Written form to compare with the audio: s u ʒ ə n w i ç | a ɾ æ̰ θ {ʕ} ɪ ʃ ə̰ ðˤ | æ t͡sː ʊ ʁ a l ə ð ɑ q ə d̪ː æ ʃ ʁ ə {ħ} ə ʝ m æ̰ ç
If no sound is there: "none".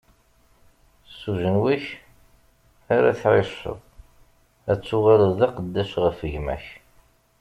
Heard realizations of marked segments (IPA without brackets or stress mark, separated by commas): ʕ, f